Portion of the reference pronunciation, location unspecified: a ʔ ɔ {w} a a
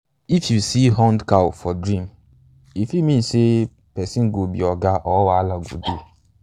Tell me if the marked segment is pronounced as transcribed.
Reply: yes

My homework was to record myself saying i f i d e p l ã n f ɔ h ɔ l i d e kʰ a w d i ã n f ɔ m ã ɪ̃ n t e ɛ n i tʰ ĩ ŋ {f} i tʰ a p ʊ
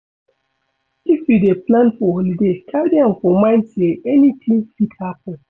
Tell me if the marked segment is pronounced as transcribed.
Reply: yes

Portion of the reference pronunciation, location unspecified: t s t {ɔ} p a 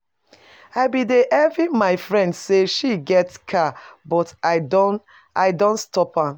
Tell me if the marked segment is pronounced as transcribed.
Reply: yes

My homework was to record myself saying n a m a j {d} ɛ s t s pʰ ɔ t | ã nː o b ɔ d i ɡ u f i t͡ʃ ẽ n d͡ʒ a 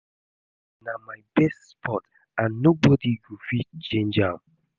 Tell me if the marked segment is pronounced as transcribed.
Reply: no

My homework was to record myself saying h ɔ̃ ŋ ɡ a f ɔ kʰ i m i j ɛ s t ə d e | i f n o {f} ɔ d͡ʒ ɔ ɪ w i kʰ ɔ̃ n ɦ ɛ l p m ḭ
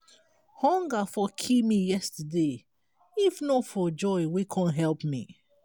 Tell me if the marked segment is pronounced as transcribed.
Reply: yes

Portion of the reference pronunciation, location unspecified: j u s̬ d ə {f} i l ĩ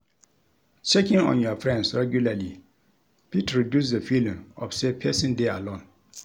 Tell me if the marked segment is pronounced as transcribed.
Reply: yes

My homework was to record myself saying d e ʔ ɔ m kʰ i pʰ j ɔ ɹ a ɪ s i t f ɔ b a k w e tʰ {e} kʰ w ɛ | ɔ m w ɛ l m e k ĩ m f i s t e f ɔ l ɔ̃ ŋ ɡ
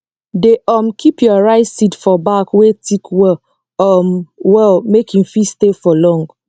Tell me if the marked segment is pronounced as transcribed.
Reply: no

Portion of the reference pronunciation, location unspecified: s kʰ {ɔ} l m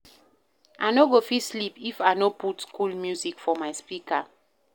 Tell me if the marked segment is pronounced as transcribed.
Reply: no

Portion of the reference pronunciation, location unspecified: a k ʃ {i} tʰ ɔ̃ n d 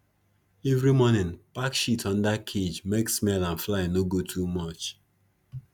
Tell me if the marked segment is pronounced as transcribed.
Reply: yes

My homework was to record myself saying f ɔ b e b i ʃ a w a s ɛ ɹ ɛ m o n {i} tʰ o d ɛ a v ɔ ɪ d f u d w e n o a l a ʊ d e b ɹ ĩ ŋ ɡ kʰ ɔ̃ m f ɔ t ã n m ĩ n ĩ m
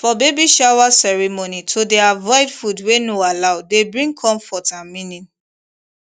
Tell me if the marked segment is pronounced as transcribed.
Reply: yes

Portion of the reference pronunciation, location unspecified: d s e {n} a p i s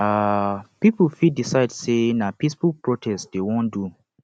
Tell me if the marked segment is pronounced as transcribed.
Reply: yes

